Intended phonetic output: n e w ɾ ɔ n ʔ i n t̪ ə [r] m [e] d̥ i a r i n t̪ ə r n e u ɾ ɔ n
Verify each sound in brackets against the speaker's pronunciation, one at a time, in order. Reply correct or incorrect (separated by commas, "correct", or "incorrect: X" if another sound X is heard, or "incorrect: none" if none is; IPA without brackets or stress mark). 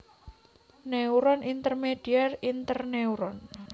correct, correct